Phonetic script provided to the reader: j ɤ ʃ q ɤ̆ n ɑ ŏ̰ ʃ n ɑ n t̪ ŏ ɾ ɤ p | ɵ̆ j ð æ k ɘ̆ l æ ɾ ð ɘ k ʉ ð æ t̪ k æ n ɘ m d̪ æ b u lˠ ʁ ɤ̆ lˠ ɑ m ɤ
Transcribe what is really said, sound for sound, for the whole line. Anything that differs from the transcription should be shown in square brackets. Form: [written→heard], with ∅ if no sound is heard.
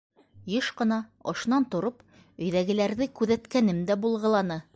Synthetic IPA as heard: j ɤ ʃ q ɤ̆ n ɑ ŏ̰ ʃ n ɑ n t̪ ŏ ɾ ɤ p | ɵ̆ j ð æ [k→ɡ] ɘ̆ l æ ɾ ð ɘ k ʉ ð æ t̪ k æ n ɘ m d̪ æ b u lˠ ʁ ɤ̆ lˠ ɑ [m→n] ɤ